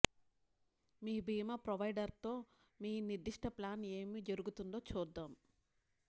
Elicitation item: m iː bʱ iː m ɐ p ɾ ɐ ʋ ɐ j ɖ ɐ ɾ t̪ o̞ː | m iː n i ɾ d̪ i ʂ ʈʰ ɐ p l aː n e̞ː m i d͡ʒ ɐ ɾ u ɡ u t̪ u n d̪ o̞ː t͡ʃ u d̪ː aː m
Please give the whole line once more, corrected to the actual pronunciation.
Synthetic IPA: m iː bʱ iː m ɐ p ɾ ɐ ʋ ɐ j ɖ ɐ ɾ t̪ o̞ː | m iː n i ɾ d̪ i ʂ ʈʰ ɐ p l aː n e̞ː m i d͡ʒ ɐ ɾ u ɡ u t̪ u n d̪ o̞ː t͡ʃ uː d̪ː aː m

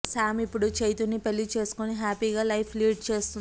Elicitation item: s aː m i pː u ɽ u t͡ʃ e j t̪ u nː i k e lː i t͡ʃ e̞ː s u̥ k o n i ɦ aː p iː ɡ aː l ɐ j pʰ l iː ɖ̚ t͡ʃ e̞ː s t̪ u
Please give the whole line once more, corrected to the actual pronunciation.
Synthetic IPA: s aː m i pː u ɽ u t͡ʃ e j t̪ u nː i p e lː i t͡ʃ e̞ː s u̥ k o n i ɦ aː p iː ɡ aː l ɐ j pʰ l iː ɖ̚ t͡ʃ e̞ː s t̪ u

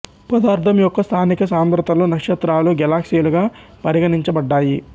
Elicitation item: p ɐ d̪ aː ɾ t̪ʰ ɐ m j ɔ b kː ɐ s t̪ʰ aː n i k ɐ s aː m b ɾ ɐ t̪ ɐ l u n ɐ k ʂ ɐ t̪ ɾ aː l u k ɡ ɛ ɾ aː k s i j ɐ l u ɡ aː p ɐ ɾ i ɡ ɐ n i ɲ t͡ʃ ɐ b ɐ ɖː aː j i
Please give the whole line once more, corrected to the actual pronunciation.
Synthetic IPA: p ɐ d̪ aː ɾ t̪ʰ ɐ m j ɔ kː ɐ s t̪ʰ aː n i k ɐ s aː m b ɾ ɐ t̪ ɐ l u n ɐ k ʂ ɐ t̪ ɾ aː l u ɡ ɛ l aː k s i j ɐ l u ɡ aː p ɐ ɾ i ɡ ɐ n i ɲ t͡ʃ ɐ b ɐ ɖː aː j i

